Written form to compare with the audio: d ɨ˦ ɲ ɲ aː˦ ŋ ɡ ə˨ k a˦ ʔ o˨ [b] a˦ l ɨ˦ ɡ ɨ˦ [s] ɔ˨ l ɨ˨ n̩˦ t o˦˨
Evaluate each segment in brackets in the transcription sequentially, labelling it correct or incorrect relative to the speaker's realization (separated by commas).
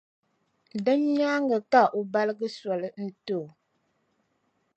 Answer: correct, correct